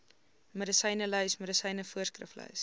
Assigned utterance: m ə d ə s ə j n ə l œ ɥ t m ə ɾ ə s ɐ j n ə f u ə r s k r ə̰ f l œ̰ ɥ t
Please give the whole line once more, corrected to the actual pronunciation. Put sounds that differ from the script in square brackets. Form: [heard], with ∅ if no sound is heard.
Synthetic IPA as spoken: m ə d ə s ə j n ə l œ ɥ [s] m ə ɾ ə s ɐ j n ə f u ə r s k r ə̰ f l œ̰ ɥ [s]